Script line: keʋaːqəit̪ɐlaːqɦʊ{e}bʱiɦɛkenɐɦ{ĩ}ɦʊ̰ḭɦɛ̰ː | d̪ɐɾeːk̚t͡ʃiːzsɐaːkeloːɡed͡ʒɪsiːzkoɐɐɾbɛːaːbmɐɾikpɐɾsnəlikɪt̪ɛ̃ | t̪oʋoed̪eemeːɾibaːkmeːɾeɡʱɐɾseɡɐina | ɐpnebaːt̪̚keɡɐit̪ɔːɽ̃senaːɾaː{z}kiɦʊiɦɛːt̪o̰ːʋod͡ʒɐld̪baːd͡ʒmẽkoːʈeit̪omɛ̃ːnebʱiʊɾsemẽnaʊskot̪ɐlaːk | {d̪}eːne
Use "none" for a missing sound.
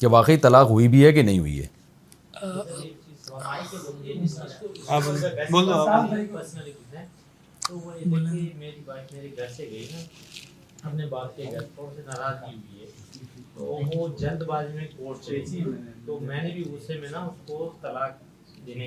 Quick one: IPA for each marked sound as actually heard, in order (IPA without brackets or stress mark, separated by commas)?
i, ĩ, z, d̪